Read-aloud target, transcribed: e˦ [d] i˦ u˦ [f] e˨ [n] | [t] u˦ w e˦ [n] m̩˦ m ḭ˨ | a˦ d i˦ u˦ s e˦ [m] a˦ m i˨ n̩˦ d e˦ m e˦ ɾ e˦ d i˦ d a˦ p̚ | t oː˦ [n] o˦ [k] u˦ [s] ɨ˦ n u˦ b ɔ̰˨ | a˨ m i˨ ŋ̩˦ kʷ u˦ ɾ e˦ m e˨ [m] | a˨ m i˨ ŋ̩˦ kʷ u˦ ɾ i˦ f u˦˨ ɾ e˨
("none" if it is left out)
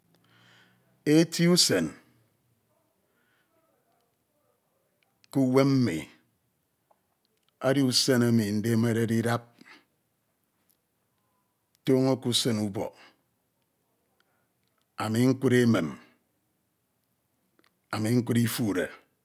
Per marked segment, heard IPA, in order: t, s, n, k, m, n, ŋ, k, s, m

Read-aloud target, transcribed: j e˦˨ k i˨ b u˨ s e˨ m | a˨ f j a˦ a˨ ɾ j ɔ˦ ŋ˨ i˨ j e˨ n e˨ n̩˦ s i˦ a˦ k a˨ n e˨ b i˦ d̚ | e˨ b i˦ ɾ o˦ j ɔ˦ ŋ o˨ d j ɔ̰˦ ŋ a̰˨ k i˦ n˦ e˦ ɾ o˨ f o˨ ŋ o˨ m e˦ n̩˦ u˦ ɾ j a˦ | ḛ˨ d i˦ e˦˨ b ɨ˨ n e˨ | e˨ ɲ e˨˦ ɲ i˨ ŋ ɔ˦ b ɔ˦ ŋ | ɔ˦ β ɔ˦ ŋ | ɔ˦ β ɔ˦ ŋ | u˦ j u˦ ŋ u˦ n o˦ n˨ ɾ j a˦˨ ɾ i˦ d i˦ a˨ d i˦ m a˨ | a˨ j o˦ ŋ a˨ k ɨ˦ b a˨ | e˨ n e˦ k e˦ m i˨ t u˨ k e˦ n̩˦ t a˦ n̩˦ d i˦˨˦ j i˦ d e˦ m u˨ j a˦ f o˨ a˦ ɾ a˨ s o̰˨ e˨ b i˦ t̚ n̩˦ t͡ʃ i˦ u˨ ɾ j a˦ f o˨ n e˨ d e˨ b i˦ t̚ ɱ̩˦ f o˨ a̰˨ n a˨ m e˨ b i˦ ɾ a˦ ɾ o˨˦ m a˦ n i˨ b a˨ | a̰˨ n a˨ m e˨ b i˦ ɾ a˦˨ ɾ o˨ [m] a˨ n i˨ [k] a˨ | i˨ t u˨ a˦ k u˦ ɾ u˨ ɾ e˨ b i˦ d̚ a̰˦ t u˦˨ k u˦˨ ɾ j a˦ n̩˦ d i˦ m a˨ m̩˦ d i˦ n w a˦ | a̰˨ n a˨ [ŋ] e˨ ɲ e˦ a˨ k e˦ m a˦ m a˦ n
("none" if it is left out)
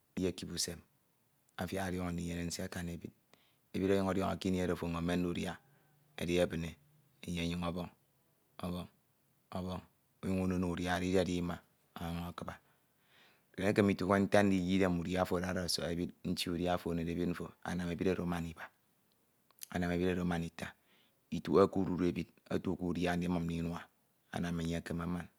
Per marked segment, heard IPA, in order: m, t, m

